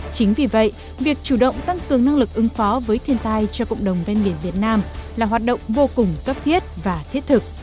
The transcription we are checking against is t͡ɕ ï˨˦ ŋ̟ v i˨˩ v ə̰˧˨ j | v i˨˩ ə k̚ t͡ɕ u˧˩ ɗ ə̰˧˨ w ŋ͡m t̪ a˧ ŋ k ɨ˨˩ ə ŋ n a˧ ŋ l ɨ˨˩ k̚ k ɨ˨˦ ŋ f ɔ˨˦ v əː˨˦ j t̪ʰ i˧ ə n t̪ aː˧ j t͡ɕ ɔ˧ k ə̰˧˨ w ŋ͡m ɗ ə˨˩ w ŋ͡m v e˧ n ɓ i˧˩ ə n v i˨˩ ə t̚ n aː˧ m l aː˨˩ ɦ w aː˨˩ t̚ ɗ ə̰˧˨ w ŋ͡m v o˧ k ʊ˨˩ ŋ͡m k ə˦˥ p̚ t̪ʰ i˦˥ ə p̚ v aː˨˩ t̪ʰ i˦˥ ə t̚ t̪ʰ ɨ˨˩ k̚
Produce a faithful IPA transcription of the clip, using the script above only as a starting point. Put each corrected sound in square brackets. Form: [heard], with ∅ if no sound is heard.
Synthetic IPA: t͡ɕ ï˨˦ ŋ̟ v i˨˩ v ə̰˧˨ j | v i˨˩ ə k̚ t͡ɕ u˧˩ ɗ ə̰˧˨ w ŋ͡m t̪ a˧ ŋ k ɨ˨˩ ə ŋ n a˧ ŋ l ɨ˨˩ k̚ [ʔ] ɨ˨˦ ŋ f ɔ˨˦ v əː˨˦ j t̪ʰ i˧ ə n t̪ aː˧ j t͡ɕ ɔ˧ k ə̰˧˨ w ŋ͡m ɗ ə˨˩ w ŋ͡m v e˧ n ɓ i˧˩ ə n v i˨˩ ə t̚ n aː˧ m l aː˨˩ ɦ w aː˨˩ t̚ ɗ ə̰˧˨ w ŋ͡m v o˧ k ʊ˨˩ ŋ͡m k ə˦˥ p̚ t̪ʰ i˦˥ ə [t̚] v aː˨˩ t̪ʰ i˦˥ ə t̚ t̪ʰ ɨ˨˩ k̚